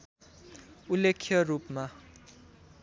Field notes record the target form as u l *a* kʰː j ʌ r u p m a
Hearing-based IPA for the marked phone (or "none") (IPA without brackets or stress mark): e